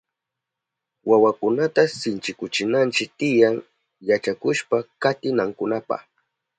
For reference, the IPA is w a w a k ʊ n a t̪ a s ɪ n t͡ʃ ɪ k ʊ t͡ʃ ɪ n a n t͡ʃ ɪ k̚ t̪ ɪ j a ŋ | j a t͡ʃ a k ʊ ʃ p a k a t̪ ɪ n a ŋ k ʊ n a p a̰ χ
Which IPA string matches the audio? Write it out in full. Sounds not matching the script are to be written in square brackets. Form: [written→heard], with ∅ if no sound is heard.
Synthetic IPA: w a w a k ʊ n a t̪ a s ɪ n t͡ʃ ɪ k ʊ t͡ʃ ɪ n a n t͡ʃ ɪ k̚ t̪ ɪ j a ŋ | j a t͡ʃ a k ʊ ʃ p a k a t̪ ɪ n a ŋ k ʊ n a p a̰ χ